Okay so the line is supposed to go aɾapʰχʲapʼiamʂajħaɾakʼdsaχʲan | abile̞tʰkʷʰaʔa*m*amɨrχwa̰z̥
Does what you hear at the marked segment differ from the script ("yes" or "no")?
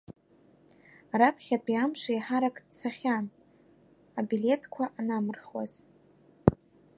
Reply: yes